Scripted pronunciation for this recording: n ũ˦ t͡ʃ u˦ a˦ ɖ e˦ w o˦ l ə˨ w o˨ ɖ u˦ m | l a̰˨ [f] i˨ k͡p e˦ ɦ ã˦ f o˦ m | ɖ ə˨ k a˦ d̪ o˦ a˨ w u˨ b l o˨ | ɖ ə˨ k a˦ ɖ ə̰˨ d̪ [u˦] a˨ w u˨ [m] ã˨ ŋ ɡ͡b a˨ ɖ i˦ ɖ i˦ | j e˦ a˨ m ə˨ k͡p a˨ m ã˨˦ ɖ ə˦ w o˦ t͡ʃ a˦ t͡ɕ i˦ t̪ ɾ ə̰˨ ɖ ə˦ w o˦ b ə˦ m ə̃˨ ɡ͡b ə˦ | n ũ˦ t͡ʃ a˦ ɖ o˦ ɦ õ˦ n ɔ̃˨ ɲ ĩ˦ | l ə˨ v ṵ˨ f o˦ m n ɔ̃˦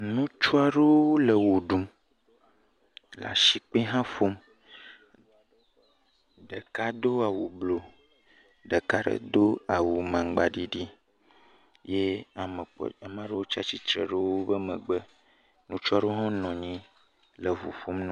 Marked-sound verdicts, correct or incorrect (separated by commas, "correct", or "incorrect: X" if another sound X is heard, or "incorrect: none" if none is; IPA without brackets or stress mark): incorrect: ʃ, incorrect: o˦, correct